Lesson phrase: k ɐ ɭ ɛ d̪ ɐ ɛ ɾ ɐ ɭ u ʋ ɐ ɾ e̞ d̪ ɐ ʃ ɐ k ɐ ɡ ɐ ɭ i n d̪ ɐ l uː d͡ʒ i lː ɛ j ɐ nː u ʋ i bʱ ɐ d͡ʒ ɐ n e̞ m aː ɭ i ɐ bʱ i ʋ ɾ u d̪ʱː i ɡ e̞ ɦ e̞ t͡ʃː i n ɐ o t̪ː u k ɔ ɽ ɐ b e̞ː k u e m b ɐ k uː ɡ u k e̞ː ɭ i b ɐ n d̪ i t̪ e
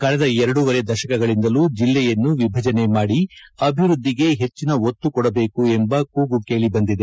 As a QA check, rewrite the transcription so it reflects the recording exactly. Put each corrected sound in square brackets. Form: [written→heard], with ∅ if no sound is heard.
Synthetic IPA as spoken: k ɐ ɭ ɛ d̪ ɐ ɛ ɾ ɐ [ɭ→ɽ] u ʋ ɐ ɾ e̞ d̪ ɐ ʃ ɐ k ɐ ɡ ɐ ɭ i n d̪ ɐ l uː d͡ʒ i lː ɛ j ɐ nː u ʋ i bʱ ɐ d͡ʒ ɐ n e̞ m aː [ɭ→ɽ] i ɐ bʱ i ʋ ɾ u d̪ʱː i ɡ e̞ ɦ e̞ t͡ʃː i n ɐ o t̪ː u k ɔ ɽ ɐ b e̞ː k u e m b ɐ k uː ɡ u k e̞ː ɭ i b ɐ n d̪ i [t̪→d̪] e